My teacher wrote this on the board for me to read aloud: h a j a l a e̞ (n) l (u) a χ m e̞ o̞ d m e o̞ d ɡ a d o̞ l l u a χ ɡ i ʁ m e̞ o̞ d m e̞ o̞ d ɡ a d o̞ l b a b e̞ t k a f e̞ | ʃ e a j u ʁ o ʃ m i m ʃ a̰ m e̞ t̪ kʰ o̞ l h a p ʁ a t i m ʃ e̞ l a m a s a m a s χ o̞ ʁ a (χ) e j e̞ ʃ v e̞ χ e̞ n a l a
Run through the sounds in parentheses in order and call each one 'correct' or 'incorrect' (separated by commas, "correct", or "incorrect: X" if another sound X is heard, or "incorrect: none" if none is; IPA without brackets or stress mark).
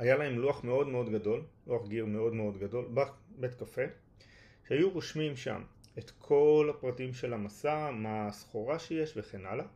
incorrect: m, correct, incorrect: ʃ